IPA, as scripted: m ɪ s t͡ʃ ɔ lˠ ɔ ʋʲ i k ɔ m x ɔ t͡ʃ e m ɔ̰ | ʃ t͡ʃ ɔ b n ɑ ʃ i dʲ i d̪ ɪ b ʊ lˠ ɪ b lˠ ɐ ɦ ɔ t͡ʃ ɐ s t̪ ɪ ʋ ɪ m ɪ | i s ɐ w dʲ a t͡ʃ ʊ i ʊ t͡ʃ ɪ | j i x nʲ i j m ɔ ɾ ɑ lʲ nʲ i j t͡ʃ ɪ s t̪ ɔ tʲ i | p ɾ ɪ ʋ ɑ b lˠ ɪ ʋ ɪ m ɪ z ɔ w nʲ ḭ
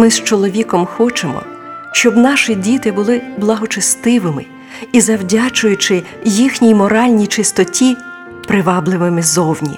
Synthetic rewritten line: m ɪ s t͡ʃ ɔ lˠ ɔ ʋʲ i k ɔ m x ɔ t͡ʃ e m ɔ̰ | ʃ t͡ʃ ɔ b n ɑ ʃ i dʲ i t̪ ɪ b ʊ lˠ ɪ b lˠ ɐ ɦ ɔ t͡ʃ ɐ s t̪ ɪ ʋ ɪ m ɪ | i z ɐ w dʲ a t͡ʃ ʊ j ʊ t͡ʃ ɪ | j i x nʲ i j m ɔ ɾ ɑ lʲ nʲ i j t͡ʃ ɪ s t̪ ɔ tʲ i | p ɾ ɪ ʋ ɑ b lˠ ɪ ʋ ɪ m ɪ z ɔ w nʲ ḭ